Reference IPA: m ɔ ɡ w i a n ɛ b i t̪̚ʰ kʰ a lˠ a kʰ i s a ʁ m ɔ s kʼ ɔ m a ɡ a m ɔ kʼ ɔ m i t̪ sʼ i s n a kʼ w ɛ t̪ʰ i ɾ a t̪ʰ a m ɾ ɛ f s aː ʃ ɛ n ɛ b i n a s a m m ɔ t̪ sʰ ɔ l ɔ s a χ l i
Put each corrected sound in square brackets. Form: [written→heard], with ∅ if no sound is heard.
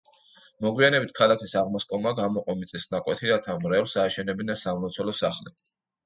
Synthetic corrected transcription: m ɔ ɡ w i a n ɛ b i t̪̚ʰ kʰ a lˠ a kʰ i s a ʁ m ɔ s kʼ ɔ m a ɡ a m ɔ [kʼ→qʼ] ɔ m i t̪ sʼ i s n a kʼ w ɛ t̪ʰ i ɾ a t̪ʰ a m ɾ ɛ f s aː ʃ ɛ n ɛ b i n a s a m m ɔ t̪ sʰ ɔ l ɔ s a χ l i